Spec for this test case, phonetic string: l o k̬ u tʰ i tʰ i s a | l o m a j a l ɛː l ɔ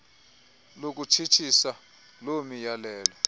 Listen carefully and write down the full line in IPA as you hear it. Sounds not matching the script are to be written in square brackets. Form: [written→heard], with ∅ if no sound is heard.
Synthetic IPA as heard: l o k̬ u tʰ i tʰ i s a | l o m [a→i] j a l ɛː l ɔ